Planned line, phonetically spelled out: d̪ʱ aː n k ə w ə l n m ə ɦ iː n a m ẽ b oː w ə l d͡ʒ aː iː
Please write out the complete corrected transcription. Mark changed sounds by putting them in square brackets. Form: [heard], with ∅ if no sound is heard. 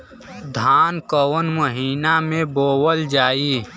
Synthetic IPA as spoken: d̪ʱ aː n k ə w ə [∅] n m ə ɦ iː n a m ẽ b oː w ə l d͡ʒ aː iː